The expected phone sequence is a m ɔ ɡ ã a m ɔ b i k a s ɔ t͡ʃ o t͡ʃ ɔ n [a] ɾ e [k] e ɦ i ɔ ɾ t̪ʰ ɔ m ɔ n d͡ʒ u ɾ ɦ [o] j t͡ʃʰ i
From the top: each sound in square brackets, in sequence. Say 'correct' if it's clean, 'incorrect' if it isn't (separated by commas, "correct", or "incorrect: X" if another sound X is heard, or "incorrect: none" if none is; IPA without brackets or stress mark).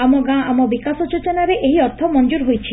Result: correct, incorrect: ʔ, correct